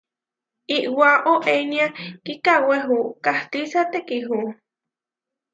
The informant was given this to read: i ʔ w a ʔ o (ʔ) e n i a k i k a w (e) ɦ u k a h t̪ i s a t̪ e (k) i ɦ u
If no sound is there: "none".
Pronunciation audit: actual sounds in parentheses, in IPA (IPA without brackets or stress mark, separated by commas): ʔ, e, k